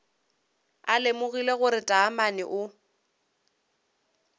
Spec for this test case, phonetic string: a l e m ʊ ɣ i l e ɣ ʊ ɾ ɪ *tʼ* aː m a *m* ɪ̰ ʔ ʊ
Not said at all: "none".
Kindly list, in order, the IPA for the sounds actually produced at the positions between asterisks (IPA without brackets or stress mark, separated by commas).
tʼ, n